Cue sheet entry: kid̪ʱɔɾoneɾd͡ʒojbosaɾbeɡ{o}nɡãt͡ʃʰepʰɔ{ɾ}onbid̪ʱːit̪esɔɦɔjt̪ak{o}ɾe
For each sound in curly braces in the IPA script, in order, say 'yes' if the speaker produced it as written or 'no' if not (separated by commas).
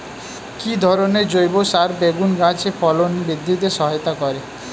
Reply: no, no, no